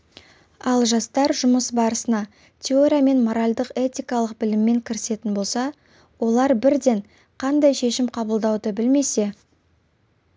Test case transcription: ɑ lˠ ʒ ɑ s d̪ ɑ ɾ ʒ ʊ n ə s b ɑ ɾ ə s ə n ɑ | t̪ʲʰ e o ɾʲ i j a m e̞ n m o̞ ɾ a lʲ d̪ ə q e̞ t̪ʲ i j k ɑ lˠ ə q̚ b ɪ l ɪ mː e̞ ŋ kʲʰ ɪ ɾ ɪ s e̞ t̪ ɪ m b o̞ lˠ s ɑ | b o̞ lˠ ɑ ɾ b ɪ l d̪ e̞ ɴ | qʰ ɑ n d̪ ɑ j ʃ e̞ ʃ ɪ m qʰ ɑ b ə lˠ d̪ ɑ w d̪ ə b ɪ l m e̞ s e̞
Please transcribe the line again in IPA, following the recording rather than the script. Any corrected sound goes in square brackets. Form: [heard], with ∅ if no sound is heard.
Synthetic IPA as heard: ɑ lˠ ʒ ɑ s [t̪] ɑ ɾ ʒ ʊ [m] ə s b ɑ ɾ ə s ə n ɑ | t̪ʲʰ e o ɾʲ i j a m e̞ n m o̞ ɾ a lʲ d̪ ə q e̞ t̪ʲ i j k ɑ lˠ ə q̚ b ɪ l ɪ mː e̞ ŋ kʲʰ ɪ ɾ ɪ s e̞ t̪ ɪ [n] b o̞ lˠ s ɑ | [w] o̞ lˠ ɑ ɾ b ɪ [ɾ] d̪ e̞ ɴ | qʰ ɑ n d̪ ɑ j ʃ e̞ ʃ ɪ m qʰ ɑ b ə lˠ d̪ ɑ w d̪ ə b ɪ l m e̞ s e̞

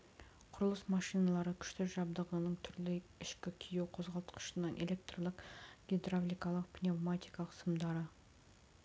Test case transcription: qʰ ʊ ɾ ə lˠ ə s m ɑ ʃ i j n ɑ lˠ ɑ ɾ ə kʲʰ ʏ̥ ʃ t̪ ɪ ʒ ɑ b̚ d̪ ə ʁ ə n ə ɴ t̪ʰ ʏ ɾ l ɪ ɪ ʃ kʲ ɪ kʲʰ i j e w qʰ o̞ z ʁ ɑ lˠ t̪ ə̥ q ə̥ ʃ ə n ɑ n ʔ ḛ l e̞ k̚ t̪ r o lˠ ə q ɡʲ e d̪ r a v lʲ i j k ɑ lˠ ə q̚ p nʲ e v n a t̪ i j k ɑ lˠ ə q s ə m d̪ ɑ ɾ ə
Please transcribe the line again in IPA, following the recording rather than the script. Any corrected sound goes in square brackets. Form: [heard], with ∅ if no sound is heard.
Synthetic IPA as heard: qʰ ʊ ɾ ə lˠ ə s m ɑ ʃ i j n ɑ lˠ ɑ ɾ ə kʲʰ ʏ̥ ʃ t̪ ɪ ʒ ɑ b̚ d̪ ə ʁ ə n ə ɴ t̪ʰ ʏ ɾ l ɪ ɪ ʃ kʲ ɪ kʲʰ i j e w qʰ o̞ z ʁ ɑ lˠ t̪ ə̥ q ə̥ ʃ ə n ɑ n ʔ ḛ l e̞ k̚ t̪ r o lˠ ə q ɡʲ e d̪ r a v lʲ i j k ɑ lˠ ə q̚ p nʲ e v [m] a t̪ i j k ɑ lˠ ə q s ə m d̪ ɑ ɾ ə

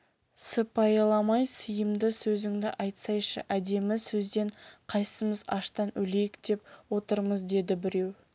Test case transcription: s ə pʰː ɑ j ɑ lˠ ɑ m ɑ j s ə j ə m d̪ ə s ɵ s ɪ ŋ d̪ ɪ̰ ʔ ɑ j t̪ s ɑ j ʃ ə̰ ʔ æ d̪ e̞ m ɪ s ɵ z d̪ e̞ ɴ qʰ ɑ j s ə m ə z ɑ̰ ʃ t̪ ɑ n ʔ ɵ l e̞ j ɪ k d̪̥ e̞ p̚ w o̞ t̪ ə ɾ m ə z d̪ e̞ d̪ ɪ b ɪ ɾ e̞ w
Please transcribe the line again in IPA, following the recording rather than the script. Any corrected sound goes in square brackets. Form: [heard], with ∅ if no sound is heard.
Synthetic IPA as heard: s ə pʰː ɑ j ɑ lˠ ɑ m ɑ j s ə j ə m d̪ ə s ɵ [z] ɪ ŋ d̪ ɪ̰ ʔ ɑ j t̪ s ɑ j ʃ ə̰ ʔ æ d̪ e̞ m ɪ s ɵ z d̪ e̞ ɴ qʰ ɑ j s ə m ə z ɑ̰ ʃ t̪ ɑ n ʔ ɵ l e̞ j ɪ k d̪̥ e̞ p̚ w o̞ t̪ ə ɾ m ə z d̪ e̞ d̪ ɪ b ɪ ɾ e̞ w

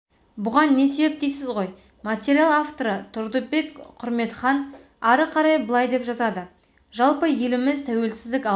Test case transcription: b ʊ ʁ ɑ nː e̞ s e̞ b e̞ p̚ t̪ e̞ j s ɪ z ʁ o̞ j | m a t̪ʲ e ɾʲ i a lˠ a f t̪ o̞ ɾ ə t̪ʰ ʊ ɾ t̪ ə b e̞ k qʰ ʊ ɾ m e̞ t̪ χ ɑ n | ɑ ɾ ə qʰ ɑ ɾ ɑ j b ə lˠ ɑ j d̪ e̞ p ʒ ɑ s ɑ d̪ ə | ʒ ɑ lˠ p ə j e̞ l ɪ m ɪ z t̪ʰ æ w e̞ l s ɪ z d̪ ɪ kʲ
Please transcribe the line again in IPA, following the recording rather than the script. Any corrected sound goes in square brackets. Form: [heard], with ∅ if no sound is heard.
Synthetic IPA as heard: b ʊ ʁ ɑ nː e̞ s e̞ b e̞ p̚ t̪ e̞ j s ɪ z ʁ o̞ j | m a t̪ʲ e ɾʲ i a lˠ a f t̪ o̞ ɾ ə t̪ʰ ʊ ɾ [d̪] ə b e̞ k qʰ ʊ ɾ m e̞ t̪ χ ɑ n | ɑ ɾ ə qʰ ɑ ɾ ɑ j b ə lˠ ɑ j d̪ e̞ p ʒ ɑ [z] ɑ d̪ ə | ʒ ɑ lˠ p ə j e̞ l ɪ m ɪ z t̪ʰ æ w e̞ l s ɪ z d̪ ɪ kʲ

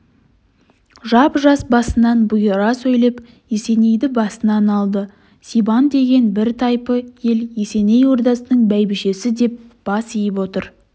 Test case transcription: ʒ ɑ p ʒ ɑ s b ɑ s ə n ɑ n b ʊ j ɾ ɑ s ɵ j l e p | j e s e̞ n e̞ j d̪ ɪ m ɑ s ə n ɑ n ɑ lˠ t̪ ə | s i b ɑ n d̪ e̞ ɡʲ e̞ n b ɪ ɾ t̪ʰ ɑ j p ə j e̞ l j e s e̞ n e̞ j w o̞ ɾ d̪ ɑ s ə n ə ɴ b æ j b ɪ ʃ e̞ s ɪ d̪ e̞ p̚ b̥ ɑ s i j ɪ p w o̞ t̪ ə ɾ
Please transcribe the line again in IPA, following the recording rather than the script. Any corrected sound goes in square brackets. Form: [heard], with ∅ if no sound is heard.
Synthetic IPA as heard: ʒ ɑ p ʒ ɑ s b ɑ s ə n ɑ n b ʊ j ɾ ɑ s ɵ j l e p | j e s e̞ n e̞ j d̪ ɪ [b] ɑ s ə n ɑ n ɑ lˠ [d̪] ə | s i b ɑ n d̪ e̞ ɡʲ e̞ n b ɪ ɾ t̪ʰ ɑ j p ə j e̞ l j e s e̞ n e̞ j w o̞ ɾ d̪ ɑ s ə n ə ɴ b æ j b ɪ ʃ e̞ s ɪ d̪ e̞ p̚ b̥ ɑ s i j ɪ p w o̞ t̪ ə ɾ

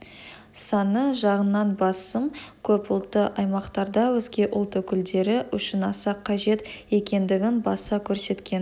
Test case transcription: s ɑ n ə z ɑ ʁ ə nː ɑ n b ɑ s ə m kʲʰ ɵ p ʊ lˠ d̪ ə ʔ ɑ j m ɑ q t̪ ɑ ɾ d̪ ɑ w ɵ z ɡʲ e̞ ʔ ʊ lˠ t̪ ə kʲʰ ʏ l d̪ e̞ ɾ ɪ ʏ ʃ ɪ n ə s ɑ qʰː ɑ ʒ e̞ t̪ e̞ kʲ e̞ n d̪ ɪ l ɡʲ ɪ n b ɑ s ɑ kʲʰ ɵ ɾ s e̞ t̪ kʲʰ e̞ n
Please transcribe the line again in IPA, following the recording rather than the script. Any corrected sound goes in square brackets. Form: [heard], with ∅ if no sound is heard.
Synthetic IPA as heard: s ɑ n ə [ʒ] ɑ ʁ ə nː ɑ n b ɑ s ə m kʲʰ ɵ p ʊ lˠ [t̪] ə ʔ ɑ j m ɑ q t̪ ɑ ɾ d̪ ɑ w ɵ z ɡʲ e̞ ʔ ʊ lˠ t̪ ə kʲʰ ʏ l d̪ e̞ ɾ ɪ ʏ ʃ ɪ n [ɑ] s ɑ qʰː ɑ ʒ e̞ t̪ e̞ kʲ e̞ n d̪ ɪ [∅] ɡʲ ɪ n b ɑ s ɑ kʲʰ ɵ ɾ s e̞ t̪ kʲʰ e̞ n

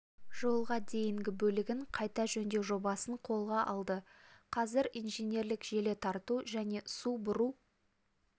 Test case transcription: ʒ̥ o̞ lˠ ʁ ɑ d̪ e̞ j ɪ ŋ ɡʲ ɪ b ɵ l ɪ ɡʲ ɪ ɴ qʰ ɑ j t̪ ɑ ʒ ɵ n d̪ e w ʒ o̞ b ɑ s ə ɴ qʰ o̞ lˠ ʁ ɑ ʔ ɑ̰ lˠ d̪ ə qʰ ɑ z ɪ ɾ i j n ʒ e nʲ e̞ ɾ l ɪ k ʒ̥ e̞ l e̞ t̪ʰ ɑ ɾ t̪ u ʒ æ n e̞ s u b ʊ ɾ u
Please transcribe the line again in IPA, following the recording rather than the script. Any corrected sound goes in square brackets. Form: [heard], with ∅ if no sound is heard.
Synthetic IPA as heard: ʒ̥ o̞ lˠ ʁ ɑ d̪ e̞ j ɪ ŋ ɡʲ ɪ b ɵ l ɪ ɡʲ ɪ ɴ qʰ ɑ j t̪ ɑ ʒ ɵ n d̪ e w ʒ o̞ b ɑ s ə ɴ qʰ o̞ lˠ ʁ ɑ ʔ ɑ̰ lˠ d̪ ə qʰ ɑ z ɪ ɾ i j n ʒ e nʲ e̞ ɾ l ɪ k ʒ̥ e̞ l e̞ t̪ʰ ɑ ɾ t̪ u ʒ æ n e̞ s u b ʊ ɾ u

